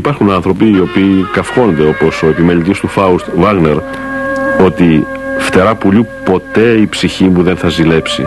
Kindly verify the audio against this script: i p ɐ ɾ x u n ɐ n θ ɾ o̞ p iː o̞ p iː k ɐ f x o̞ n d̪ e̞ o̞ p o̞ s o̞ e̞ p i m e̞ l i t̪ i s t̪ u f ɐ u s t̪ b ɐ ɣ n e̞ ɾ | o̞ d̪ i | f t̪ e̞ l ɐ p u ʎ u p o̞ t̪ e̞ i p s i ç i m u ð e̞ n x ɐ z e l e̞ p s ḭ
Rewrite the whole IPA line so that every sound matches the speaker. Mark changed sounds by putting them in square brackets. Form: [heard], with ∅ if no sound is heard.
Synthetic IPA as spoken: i p ɐ ɾ x u n ɐ n θ ɾ o̞ p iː o̞ p iː k ɐ f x o̞ n d̪ e̞ o̞ p o̞ s o̞ e̞ p i m e̞ l i t̪ i s t̪ u f ɐ u s t̪ [v] ɐ ɣ n e̞ ɾ | o̞ [t̪] i | f t̪ e̞ [ɾ] ɐ p u ʎ u p o̞ t̪ e̞ i p s i ç i m u ð e̞ n [θ] ɐ z [i] l e̞ p s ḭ